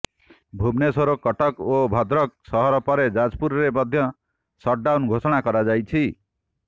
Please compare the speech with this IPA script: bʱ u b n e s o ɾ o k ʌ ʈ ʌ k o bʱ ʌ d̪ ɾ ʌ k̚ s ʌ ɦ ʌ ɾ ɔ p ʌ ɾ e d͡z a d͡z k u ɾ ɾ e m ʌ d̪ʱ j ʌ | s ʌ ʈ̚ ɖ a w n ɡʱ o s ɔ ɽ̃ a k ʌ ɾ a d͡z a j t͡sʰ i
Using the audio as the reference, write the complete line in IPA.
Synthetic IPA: bʱ u b n e s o ɾ o k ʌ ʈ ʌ k o bʱ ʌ d̪ ɾ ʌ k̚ s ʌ ɦ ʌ ɾ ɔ p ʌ ɾ e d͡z a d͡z p u ɾ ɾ e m ʌ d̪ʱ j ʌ | s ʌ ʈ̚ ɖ a w n ɡʱ o s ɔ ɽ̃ a k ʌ ɾ a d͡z a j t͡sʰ i